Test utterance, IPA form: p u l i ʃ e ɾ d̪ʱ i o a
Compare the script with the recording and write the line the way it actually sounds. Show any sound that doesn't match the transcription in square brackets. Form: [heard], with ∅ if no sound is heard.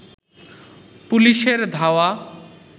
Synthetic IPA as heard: p u l i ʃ e ɾ d̪ʱ [a] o a